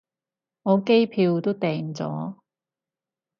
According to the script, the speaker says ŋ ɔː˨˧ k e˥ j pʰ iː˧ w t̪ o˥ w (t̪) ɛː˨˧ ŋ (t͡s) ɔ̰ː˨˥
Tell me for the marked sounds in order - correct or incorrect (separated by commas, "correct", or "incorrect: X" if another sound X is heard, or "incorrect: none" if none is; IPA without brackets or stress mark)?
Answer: correct, correct